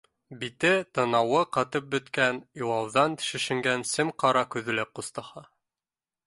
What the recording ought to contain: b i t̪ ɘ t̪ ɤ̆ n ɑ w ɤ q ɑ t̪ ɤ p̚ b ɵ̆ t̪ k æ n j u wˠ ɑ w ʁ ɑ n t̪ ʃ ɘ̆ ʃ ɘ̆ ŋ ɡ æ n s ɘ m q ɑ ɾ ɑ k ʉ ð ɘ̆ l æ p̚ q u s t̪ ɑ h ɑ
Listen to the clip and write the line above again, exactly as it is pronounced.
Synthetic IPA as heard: b i t̪ ɘ t̪ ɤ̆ n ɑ w ɤ q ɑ t̪ ɤ p̚ b ɵ̆ t̪ k æ n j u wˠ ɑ w ð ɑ n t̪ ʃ ɘ̆ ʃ ɘ̆ ŋ ɡ æ n s ɘ m q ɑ ɾ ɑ k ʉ ð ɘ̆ l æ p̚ q u s t̪ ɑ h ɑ